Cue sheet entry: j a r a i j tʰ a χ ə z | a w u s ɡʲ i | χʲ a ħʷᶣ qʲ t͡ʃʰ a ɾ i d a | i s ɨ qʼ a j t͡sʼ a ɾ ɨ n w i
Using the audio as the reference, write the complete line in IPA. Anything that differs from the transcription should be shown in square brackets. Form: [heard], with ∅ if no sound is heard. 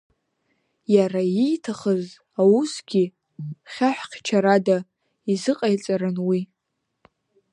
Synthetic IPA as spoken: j a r a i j tʰ a χ ə z | a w u s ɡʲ i | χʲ a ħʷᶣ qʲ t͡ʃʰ a ɾ [a] d a | i [z] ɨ qʼ a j t͡sʼ a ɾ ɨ n w i